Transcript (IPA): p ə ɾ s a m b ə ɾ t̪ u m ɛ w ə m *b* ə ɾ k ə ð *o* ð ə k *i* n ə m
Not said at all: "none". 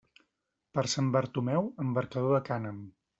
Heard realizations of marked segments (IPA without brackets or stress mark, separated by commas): b, o, a